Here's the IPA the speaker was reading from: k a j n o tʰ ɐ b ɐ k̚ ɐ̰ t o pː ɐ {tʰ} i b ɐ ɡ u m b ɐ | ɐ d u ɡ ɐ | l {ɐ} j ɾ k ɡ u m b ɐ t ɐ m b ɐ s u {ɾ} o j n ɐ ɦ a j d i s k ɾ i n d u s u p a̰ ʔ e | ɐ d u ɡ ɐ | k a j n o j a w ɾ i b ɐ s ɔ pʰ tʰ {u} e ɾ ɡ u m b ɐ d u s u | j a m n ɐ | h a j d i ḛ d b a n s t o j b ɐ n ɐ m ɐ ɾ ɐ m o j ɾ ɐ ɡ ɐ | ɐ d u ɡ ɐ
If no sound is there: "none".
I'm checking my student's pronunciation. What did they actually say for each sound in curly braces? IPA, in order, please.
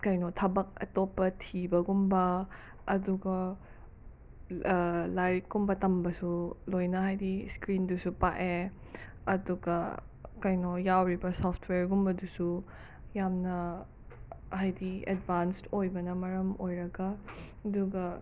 tʰ, a, l, w

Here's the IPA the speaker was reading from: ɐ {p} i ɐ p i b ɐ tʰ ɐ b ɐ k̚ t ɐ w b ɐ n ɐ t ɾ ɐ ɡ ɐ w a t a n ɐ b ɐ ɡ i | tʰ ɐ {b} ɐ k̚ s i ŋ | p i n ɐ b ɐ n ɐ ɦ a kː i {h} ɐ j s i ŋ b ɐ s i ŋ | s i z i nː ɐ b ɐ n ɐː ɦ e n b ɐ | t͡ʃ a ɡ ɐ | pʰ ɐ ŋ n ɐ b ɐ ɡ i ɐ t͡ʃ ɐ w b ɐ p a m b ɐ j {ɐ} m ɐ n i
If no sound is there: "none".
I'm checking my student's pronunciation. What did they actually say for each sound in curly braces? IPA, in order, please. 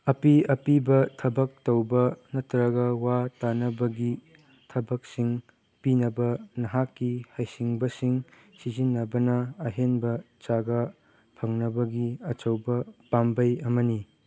p, b, h, ɐ

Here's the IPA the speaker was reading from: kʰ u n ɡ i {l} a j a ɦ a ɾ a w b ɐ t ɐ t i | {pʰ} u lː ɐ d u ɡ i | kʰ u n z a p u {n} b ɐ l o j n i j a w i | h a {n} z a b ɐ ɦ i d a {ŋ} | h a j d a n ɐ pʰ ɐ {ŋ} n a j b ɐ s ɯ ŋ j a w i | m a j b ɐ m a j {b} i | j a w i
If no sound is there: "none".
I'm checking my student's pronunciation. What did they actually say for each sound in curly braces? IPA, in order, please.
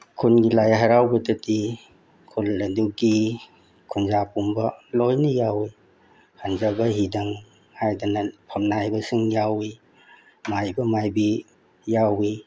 l, kʰ, m, n, ŋ, m, b

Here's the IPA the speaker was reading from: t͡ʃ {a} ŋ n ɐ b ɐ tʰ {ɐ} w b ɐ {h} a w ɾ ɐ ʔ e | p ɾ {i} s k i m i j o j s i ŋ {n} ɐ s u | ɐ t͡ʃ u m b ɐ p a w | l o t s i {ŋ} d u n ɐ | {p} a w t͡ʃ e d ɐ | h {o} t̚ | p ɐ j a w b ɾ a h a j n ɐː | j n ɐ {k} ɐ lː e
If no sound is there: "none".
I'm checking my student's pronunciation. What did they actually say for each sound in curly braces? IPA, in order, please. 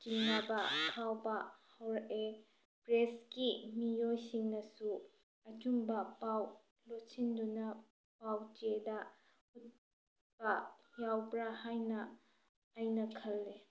i, a, h, e, n, n, p, u, kʰ

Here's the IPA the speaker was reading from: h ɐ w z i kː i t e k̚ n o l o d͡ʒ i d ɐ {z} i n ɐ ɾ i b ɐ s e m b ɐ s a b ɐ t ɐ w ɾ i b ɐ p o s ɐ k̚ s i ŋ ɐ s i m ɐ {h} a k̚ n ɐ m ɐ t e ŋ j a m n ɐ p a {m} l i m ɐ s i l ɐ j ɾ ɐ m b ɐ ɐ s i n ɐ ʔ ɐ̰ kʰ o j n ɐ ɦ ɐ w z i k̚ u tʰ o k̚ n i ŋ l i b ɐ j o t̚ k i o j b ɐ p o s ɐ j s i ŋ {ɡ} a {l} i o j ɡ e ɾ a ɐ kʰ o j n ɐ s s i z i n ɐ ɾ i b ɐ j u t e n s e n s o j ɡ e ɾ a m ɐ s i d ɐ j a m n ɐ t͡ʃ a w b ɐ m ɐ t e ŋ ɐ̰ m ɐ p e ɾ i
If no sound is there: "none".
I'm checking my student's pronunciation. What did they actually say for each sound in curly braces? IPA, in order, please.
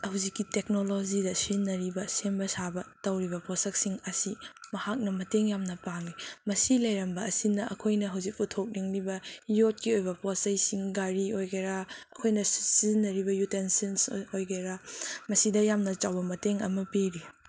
s, h, ŋ, ɡ, ɾ

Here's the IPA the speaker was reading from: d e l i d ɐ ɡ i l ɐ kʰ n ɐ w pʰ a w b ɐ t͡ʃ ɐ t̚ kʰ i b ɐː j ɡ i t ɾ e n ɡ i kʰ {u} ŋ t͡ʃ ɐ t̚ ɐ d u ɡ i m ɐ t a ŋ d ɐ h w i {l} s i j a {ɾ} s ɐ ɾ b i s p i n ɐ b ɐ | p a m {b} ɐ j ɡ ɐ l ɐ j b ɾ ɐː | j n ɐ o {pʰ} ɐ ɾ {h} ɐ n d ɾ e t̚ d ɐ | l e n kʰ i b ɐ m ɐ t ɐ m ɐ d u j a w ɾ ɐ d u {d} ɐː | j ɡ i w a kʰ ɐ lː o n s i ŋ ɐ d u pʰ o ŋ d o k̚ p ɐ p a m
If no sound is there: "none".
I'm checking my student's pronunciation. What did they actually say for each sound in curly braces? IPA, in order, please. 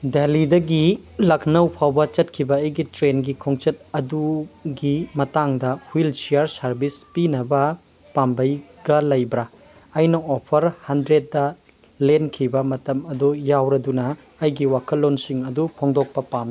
o, l, ɾ, b, pʰ, h, n

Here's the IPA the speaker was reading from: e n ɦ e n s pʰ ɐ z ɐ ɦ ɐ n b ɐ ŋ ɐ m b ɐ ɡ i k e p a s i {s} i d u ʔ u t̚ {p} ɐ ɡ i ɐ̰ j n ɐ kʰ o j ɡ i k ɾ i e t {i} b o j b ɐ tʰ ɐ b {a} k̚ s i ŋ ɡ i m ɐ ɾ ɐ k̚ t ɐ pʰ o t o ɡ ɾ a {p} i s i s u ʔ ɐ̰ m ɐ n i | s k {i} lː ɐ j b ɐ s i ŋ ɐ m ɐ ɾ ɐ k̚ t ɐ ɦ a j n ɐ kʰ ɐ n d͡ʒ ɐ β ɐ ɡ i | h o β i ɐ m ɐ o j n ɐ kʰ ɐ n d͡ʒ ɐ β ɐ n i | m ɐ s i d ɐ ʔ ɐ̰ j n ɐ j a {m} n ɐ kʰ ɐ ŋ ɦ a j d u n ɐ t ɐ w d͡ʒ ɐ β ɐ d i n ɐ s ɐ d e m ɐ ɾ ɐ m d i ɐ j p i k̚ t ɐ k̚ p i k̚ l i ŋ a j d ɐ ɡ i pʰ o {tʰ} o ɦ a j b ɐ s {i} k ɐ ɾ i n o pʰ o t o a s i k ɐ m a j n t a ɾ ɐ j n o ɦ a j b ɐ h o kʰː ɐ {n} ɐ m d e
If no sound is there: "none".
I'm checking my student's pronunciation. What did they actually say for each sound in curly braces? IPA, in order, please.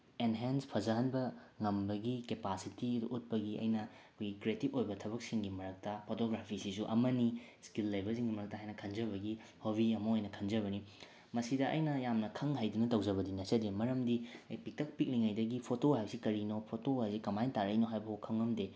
t, p, i, ɐ, pʰ, i, m, t, i, ŋ

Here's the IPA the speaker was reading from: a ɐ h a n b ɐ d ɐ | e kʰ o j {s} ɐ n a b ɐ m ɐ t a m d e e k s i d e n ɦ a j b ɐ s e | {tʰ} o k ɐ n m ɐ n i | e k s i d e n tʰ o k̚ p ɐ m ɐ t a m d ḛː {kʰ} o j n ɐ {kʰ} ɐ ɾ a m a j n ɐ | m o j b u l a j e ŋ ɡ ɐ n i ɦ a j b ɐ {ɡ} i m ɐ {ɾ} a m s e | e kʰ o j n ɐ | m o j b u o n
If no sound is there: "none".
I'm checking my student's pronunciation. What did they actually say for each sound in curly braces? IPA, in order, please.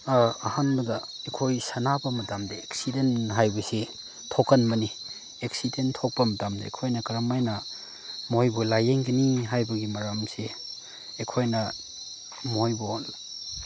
s, tʰ, kʰ, k, ɡ, ɾ

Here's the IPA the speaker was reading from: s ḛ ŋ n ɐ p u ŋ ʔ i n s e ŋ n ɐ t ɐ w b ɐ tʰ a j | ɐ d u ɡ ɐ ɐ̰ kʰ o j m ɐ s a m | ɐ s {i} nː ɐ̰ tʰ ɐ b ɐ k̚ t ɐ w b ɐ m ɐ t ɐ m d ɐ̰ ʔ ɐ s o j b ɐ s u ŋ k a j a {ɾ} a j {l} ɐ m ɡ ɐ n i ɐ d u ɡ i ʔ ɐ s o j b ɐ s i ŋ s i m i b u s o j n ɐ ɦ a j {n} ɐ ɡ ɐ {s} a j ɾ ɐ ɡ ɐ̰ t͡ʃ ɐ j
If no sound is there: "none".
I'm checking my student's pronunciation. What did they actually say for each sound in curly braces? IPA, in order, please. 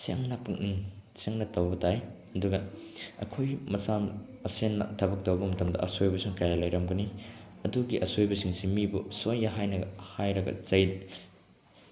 e, l, ɾ, n, h

